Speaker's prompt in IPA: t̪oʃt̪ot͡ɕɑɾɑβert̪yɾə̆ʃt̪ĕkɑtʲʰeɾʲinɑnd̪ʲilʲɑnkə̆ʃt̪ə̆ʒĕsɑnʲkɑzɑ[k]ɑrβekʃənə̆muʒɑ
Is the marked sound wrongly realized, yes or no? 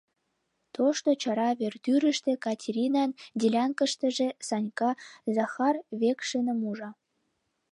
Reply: yes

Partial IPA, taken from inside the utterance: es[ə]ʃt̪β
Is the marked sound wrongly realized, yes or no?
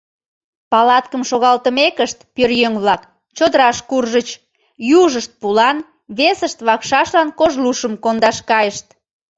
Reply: no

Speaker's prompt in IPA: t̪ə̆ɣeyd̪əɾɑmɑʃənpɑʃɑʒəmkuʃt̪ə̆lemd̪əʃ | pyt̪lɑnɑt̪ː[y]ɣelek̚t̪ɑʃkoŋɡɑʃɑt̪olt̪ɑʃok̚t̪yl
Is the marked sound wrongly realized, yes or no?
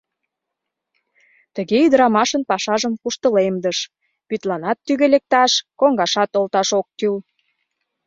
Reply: no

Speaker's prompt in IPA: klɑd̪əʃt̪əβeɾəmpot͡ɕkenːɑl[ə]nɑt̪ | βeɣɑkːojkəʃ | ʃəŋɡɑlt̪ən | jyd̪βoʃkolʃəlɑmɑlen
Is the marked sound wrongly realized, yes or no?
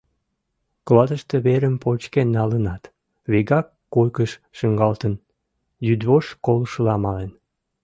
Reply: no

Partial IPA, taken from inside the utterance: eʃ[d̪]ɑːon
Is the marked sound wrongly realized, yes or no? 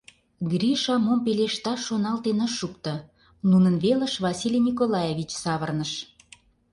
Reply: yes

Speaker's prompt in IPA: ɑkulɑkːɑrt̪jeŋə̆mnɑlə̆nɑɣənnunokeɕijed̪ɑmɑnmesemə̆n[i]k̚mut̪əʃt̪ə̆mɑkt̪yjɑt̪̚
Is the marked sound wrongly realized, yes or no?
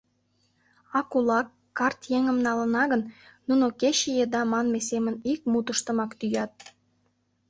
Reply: no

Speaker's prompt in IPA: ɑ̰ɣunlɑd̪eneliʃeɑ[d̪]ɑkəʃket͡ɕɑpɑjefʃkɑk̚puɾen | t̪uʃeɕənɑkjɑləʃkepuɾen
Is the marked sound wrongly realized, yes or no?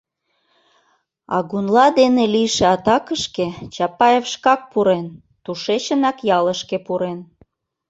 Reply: yes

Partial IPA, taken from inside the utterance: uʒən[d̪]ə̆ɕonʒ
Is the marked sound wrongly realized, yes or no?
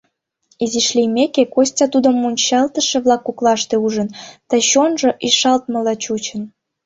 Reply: yes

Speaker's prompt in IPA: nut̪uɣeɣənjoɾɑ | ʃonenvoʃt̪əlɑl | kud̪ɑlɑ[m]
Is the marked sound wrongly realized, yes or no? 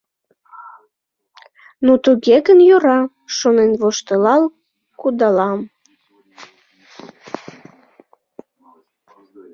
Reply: no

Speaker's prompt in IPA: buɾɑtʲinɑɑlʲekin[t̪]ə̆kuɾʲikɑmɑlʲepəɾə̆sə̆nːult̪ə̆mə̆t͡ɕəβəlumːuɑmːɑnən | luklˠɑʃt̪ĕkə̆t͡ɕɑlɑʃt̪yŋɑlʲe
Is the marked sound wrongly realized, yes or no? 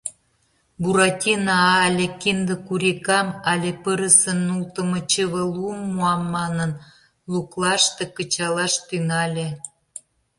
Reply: yes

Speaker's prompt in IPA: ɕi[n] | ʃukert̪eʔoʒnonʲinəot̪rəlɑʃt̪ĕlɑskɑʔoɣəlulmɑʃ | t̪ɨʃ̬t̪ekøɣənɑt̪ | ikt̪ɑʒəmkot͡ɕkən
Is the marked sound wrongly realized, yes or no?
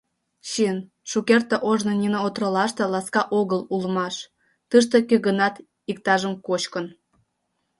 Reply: no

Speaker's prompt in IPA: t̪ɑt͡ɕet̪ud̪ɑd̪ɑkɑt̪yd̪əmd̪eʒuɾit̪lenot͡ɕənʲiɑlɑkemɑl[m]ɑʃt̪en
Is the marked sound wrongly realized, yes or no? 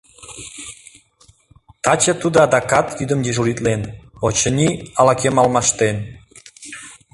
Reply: no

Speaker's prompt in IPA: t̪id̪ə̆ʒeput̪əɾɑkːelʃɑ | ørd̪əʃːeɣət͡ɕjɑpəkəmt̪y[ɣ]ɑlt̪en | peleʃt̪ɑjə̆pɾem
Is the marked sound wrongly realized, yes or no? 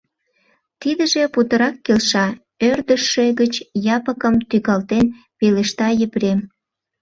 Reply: no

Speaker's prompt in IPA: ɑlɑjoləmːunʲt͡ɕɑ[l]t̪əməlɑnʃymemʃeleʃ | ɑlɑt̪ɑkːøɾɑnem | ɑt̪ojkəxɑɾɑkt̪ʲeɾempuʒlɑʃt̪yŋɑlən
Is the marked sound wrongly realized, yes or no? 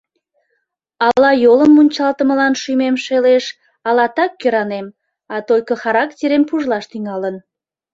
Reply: no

